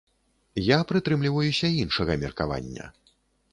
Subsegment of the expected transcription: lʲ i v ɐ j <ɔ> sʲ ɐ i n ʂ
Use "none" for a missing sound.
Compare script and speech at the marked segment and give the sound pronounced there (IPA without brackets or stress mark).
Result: u